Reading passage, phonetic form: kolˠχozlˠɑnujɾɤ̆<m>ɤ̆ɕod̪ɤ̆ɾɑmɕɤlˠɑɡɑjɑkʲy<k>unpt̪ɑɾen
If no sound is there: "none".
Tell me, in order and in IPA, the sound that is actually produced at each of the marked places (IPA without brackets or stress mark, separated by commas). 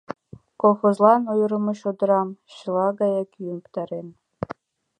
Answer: m, none